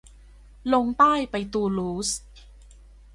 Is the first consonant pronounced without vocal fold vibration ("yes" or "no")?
no